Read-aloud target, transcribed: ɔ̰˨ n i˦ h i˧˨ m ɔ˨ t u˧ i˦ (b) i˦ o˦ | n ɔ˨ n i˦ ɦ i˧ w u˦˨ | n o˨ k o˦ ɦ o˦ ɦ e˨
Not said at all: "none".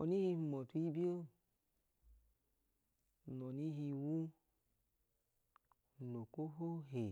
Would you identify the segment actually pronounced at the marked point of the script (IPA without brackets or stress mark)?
b